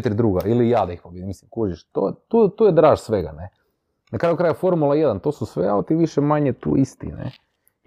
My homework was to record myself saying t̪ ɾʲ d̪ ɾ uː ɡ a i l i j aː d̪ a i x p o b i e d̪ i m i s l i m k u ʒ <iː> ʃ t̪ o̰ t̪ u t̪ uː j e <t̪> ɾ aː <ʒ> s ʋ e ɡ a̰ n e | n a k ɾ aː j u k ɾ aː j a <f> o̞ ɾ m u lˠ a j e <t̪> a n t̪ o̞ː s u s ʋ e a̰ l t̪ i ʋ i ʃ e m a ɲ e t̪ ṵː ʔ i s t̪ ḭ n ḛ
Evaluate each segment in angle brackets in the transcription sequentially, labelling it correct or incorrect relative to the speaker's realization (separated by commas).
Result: incorrect, incorrect, correct, correct, incorrect